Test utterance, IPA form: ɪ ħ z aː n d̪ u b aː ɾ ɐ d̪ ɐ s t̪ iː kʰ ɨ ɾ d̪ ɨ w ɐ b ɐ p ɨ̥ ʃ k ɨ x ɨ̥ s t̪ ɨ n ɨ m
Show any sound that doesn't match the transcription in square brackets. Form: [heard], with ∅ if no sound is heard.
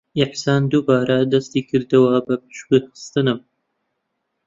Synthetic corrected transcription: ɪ ħ [s] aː n d̪ u b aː ɾ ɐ d̪ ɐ s t̪ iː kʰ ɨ ɾ d̪ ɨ w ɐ b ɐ p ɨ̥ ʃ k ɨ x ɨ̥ s t̪ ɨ n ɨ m